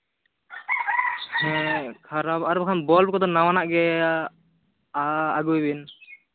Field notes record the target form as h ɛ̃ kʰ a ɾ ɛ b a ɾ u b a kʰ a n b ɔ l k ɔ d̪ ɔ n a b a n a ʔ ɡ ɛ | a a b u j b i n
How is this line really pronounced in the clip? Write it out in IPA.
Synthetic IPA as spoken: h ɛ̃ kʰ a ɾ a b a ɾ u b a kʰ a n b ɔ l k ɔ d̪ ɔ n a w a n a ʔ ɡ ɛ | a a ɡ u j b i n